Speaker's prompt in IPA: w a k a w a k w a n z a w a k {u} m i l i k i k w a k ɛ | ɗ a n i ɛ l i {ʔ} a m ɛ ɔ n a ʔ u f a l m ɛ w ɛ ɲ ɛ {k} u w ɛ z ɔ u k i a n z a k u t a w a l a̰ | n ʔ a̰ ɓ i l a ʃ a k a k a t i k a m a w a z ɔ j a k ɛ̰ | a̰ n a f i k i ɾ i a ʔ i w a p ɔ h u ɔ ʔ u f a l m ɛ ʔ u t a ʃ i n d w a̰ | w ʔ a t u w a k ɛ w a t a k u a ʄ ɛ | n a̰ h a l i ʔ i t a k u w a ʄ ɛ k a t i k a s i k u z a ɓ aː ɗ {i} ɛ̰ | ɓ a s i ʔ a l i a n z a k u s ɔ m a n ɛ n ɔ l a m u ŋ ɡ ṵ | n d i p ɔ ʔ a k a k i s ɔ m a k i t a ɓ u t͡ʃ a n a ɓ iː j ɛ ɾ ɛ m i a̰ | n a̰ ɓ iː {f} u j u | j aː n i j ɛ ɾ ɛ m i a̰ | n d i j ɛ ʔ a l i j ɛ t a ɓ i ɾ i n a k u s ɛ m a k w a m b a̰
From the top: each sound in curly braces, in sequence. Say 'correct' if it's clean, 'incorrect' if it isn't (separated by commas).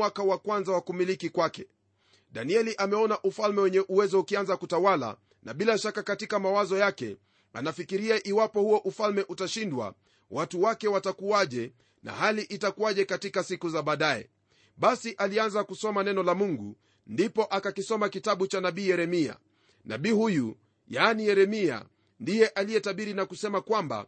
correct, correct, incorrect, incorrect, incorrect